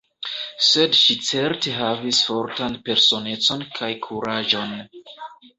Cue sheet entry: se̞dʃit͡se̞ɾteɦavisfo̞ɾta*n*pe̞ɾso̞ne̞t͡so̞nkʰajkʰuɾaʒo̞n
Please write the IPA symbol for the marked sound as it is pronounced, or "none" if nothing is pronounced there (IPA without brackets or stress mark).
n